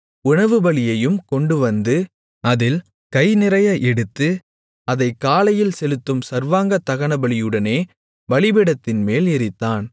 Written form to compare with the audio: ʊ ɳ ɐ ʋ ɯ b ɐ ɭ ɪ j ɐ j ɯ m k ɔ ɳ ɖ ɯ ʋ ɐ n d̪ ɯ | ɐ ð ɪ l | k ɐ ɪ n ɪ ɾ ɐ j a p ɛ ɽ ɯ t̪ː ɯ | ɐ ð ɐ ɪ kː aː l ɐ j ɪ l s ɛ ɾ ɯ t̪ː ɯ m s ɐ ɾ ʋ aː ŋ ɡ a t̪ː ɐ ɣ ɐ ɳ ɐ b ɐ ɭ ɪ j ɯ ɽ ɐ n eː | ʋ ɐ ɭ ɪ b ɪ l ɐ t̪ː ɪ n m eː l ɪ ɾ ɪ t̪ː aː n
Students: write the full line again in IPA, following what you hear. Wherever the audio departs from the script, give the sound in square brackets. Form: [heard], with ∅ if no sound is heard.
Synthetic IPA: ʊ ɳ ɐ ʋ ɯ b ɐ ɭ ɪ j ɐ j ɯ m k ɔ ɳ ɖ ɯ ʋ ɐ n d̪ ɯ | ɐ ð ɪ l | k ɐ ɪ n ɪ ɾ ɐ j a [ʔ] ɛ ɽ ɯ t̪ː ɯ | ɐ ð ɐ ɪ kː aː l ɐ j ɪ l s ɛ [l] ɯ t̪ː ɯ m s ɐ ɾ ʋ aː ŋ ɡ [ɐ] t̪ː ɐ ɣ ɐ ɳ ɐ b ɐ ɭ ɪ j ɯ ɽ ɐ n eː | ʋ ɐ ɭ ɪ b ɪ [ɽ] ɐ t̪ː ɪ n m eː l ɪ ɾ ɪ t̪ː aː n